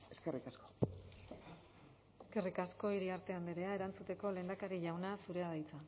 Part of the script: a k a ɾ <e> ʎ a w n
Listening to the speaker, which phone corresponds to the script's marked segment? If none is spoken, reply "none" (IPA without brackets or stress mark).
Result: i